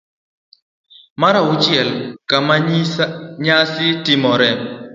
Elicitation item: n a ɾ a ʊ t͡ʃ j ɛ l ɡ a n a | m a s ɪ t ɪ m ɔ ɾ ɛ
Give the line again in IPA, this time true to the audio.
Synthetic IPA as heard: m a ɾ a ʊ t͡ʃ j ɛ l k a m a | ɲ a s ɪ t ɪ m ɔ ɾ ɛ